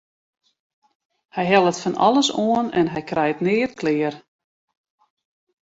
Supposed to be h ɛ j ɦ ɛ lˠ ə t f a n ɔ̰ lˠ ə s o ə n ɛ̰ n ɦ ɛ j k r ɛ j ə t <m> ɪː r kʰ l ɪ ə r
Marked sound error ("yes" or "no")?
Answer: yes